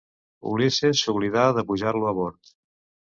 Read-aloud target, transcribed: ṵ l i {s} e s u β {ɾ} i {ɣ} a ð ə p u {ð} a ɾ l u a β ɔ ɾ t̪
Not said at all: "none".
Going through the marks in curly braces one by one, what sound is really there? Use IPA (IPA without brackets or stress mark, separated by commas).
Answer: s, l, ð, ʒ